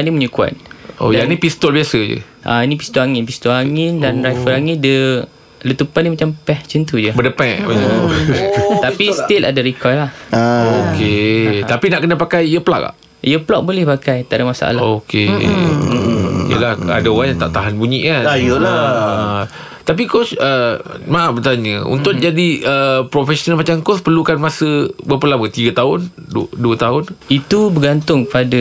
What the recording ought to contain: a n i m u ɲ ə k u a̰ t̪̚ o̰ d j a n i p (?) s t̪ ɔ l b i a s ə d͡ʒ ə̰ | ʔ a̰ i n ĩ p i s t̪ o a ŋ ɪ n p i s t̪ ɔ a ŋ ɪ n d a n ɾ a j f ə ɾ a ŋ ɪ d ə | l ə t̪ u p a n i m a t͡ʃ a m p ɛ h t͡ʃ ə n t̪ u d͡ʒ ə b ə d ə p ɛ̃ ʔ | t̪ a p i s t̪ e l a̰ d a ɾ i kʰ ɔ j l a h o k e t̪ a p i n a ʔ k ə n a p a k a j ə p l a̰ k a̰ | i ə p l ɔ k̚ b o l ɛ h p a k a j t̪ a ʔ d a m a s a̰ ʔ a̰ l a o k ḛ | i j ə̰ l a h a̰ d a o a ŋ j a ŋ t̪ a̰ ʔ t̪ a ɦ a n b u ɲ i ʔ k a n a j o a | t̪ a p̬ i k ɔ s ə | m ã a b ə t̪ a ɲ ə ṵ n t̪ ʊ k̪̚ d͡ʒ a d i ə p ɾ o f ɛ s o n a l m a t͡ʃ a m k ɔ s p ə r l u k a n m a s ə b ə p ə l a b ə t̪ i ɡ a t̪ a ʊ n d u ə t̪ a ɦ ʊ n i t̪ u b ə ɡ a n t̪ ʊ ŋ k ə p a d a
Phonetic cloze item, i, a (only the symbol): i